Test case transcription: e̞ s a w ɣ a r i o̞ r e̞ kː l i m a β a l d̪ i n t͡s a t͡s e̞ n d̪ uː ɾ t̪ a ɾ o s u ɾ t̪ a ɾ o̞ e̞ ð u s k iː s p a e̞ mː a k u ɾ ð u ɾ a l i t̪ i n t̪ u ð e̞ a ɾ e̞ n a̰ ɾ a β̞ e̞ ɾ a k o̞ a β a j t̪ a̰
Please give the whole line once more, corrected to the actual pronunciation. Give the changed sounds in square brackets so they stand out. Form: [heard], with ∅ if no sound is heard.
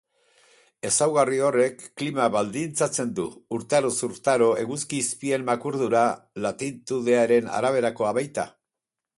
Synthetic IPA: e̞ s a w ɣ a r i o̞ r e̞ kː l i m a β a l d̪ i n t͡s a t͡s e̞ n d̪ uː ɾ t̪ a ɾ o s u ɾ t̪ a ɾ o̞ e̞ [ɣ] u s k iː s p [i] e̞ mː a k u ɾ ð u ɾ a l [a] t̪ i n t̪ u ð e̞ a ɾ e̞ n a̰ ɾ a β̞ e̞ ɾ a k o̞ a β a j t̪ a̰